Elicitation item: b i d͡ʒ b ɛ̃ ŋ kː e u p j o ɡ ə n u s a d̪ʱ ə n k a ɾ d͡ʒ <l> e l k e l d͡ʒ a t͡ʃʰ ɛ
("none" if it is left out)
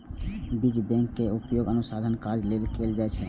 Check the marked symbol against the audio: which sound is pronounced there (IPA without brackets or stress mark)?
l